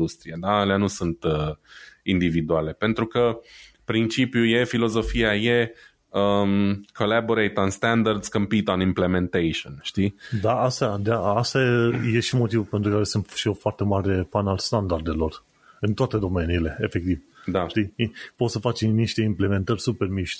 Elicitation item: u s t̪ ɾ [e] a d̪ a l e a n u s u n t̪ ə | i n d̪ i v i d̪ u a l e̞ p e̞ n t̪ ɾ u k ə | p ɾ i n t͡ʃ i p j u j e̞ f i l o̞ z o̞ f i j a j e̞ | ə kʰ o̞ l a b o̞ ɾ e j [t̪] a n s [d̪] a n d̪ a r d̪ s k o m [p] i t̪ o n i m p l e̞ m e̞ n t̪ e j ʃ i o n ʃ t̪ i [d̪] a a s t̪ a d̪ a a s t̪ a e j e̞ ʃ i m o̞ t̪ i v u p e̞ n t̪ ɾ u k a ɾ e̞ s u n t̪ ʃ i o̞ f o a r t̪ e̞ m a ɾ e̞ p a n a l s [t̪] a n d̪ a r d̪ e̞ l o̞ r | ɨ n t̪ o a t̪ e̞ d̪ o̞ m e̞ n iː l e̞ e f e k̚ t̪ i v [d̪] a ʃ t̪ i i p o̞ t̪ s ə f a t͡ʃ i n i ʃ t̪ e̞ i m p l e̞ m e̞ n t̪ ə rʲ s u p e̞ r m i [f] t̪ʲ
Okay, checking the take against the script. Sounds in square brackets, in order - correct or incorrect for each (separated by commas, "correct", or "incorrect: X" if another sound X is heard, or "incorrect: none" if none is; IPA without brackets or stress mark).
incorrect: i, correct, incorrect: t̪, correct, correct, correct, correct, incorrect: ʃ